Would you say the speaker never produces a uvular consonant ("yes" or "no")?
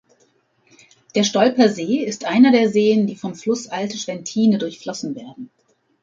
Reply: yes